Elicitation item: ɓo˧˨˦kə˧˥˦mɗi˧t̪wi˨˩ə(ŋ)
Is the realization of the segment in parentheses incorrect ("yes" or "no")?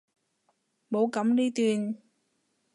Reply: yes